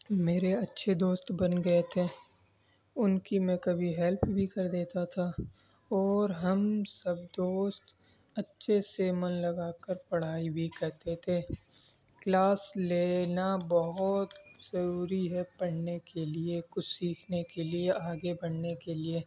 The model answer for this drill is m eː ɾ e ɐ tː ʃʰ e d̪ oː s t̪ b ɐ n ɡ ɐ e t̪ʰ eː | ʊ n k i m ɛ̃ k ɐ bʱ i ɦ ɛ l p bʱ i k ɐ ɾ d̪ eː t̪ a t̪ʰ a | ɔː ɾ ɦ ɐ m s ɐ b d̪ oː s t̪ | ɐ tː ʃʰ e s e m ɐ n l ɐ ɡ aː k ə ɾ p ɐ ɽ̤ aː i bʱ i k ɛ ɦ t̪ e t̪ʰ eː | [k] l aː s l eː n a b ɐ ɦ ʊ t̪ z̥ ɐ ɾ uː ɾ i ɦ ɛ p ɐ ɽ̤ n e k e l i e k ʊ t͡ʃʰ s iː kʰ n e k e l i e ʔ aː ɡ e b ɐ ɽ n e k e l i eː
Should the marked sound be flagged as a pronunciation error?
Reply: no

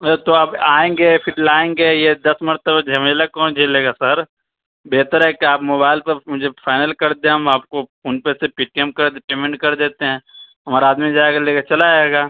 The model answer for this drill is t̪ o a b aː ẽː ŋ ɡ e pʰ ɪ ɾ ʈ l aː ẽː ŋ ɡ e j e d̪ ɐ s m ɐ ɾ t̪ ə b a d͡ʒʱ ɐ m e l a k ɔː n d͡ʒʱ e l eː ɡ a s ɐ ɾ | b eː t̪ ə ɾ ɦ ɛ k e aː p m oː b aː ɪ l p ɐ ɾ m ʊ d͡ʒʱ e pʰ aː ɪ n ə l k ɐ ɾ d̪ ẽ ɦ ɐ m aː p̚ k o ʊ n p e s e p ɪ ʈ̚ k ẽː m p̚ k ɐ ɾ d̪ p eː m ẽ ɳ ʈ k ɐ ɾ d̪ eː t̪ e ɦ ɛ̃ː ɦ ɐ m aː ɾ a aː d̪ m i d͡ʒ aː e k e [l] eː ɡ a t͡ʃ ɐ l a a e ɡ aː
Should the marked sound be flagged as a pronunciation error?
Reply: no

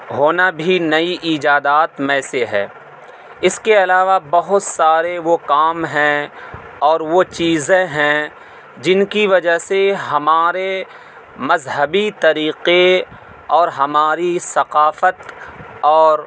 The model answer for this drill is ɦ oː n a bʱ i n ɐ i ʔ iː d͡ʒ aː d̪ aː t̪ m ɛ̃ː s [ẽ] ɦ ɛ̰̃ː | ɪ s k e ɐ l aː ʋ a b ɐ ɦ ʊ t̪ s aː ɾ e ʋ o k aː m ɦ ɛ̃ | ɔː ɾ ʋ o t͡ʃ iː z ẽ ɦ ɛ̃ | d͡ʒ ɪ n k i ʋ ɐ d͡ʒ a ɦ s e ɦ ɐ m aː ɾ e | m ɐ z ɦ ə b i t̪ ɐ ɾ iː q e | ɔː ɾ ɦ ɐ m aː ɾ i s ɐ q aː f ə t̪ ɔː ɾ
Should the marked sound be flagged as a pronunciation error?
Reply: yes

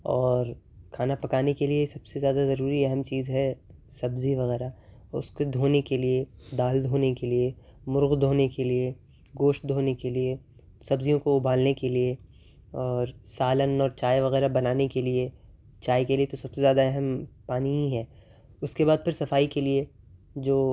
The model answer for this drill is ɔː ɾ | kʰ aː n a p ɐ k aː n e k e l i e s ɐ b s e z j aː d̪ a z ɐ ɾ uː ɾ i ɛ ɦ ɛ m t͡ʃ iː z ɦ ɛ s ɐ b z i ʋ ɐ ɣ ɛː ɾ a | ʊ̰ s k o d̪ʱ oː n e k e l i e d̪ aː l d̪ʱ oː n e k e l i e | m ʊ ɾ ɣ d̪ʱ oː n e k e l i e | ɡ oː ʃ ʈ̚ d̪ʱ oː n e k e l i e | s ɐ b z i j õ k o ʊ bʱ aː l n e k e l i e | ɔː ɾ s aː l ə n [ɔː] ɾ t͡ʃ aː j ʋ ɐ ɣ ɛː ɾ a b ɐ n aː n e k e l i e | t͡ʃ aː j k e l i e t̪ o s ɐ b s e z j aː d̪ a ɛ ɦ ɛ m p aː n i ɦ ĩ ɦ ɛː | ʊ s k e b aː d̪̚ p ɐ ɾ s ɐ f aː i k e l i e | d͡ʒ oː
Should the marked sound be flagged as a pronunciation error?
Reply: no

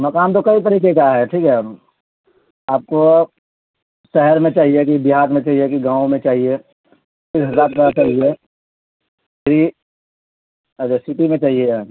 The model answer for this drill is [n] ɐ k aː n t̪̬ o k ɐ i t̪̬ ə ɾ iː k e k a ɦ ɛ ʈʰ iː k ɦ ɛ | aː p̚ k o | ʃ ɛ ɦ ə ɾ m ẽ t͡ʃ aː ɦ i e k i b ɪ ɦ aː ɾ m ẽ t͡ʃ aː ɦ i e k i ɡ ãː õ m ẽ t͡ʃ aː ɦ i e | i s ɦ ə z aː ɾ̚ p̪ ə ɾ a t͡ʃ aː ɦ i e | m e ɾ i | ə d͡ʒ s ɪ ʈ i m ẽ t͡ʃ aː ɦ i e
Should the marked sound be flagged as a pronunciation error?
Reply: yes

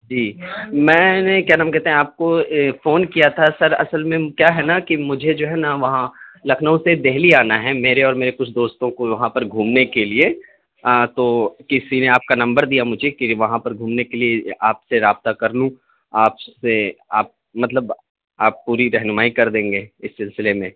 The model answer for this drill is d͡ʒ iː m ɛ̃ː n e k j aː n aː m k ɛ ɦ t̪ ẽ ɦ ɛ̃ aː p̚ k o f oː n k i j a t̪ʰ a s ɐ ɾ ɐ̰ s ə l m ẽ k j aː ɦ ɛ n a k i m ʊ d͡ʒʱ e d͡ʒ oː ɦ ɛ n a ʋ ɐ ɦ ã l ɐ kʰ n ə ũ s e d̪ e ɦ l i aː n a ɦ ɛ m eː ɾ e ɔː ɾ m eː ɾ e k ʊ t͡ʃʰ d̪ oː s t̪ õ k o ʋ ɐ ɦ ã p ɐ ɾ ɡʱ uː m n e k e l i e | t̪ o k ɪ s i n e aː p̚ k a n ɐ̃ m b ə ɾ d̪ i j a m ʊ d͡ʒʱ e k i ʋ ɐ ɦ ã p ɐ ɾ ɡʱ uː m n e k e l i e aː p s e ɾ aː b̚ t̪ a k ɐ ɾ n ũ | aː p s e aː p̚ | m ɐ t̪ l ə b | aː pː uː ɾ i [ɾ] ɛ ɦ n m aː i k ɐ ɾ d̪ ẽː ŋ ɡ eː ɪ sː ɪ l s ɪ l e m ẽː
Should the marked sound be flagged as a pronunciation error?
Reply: no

